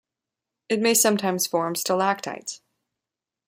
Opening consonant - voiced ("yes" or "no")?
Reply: no